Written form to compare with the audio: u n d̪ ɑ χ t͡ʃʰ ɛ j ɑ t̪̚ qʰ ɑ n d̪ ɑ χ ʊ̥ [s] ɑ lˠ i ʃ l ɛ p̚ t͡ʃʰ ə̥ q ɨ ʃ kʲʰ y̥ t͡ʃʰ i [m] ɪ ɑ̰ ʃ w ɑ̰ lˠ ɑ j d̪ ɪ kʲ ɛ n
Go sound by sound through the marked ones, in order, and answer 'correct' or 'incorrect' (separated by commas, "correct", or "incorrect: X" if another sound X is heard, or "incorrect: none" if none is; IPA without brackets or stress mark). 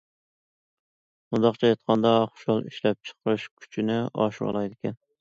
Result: incorrect: ʃ, incorrect: n